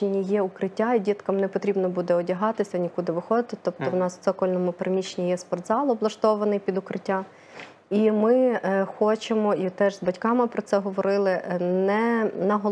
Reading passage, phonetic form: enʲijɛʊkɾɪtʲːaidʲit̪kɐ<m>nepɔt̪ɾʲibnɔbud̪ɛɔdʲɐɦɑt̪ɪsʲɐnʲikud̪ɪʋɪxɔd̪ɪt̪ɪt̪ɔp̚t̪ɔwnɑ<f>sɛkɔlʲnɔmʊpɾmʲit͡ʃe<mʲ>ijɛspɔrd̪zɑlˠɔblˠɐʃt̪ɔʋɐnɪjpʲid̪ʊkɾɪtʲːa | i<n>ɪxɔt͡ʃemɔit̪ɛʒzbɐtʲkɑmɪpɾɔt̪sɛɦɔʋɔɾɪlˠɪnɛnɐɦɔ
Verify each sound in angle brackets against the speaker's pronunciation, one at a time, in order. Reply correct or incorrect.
correct, incorrect, incorrect, incorrect

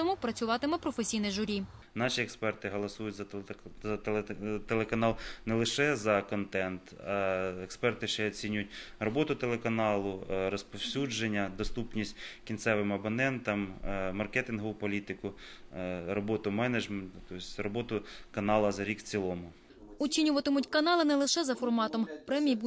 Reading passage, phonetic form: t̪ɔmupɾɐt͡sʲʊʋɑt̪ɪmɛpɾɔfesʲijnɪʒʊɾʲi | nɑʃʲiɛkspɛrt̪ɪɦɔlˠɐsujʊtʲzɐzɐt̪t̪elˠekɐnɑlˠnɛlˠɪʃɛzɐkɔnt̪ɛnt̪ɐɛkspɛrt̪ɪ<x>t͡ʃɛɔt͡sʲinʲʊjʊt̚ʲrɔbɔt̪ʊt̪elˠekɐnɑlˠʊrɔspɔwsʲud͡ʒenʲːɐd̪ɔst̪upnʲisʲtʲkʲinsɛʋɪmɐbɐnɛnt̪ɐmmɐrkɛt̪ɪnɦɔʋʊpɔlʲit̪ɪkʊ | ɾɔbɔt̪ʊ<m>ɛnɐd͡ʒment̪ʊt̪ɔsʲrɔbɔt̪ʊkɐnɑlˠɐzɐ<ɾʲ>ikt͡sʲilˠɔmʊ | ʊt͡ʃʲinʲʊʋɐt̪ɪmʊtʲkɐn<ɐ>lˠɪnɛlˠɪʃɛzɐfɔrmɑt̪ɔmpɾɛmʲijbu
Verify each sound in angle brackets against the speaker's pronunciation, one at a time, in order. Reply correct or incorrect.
incorrect, correct, correct, incorrect

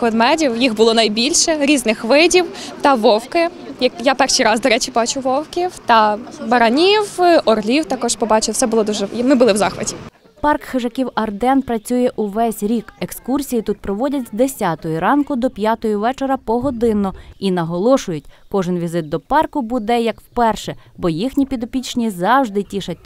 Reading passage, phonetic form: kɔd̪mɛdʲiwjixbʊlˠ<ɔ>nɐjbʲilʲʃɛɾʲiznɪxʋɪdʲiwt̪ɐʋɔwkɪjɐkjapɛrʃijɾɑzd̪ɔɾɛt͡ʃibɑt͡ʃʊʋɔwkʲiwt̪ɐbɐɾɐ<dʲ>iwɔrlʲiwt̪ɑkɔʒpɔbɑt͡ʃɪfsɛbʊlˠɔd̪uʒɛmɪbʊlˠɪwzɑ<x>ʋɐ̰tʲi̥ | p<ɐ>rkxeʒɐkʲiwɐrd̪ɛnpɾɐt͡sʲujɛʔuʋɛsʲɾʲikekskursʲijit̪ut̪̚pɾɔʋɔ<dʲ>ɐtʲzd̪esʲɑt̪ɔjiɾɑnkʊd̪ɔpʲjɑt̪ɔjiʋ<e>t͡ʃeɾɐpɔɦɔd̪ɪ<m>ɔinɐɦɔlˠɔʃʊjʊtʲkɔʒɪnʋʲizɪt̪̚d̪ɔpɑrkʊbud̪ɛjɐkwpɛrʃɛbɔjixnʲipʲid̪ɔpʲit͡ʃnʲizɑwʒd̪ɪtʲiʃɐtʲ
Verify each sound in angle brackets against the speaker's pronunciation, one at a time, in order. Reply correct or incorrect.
correct, incorrect, correct, incorrect, correct, incorrect, incorrect

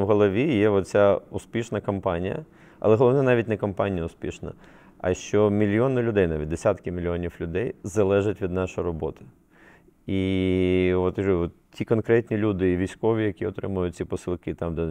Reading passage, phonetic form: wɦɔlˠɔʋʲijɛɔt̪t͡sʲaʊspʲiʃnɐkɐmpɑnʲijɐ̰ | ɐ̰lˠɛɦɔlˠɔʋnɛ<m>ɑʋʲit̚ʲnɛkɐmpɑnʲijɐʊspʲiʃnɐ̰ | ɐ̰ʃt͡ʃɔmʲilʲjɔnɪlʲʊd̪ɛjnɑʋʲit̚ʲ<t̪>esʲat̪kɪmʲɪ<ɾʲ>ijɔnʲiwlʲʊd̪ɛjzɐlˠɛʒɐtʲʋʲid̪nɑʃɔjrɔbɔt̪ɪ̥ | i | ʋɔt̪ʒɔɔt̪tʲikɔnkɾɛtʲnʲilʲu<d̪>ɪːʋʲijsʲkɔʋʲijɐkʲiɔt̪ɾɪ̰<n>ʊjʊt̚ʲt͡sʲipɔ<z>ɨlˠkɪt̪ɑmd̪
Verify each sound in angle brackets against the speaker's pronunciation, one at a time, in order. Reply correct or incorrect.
incorrect, incorrect, incorrect, correct, incorrect, incorrect

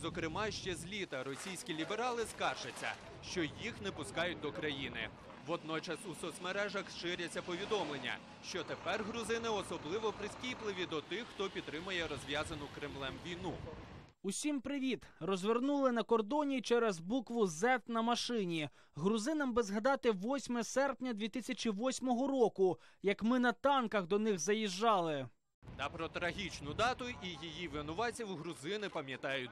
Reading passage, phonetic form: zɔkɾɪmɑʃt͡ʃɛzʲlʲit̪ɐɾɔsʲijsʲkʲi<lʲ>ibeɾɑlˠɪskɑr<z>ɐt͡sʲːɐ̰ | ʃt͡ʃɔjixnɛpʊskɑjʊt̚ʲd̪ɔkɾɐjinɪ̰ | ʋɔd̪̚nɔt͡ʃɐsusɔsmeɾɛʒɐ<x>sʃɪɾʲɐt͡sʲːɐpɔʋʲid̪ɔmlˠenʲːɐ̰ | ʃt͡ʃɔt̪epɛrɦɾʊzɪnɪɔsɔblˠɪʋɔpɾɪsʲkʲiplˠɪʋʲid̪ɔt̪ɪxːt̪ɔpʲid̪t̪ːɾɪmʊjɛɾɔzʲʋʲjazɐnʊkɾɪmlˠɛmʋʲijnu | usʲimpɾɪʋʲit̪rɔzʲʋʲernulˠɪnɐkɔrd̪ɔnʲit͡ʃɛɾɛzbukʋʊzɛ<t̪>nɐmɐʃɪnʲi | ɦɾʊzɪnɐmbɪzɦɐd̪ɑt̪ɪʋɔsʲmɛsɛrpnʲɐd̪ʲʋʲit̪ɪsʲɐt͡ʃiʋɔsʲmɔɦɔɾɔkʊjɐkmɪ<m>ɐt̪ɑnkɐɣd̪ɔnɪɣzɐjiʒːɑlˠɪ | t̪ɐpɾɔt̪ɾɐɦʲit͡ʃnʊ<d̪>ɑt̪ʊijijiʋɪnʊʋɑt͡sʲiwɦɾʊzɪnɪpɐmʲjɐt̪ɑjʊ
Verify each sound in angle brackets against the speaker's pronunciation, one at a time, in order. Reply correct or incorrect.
correct, incorrect, correct, correct, incorrect, correct

